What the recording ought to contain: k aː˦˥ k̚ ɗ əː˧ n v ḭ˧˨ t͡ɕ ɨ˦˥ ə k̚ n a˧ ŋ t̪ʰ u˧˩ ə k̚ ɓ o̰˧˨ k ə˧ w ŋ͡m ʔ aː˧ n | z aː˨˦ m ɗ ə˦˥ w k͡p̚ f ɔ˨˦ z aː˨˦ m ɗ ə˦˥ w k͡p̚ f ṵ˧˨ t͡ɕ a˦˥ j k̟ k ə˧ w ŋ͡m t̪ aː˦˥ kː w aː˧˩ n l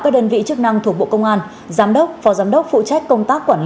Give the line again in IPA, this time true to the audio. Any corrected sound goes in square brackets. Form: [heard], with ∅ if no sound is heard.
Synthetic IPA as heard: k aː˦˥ k̚ ɗ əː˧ n v ḭ˧˨ t͡ɕ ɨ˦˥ ə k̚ n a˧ ŋ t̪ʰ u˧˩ ə k̚ ɓ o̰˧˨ k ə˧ w ŋ͡m ʔ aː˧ n | z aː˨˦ m ɗ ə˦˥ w k͡p̚ f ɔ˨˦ z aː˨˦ m ɗ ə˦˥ w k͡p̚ f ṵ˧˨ t͡ɕ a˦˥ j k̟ k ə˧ w ŋ͡m t̪ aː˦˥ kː w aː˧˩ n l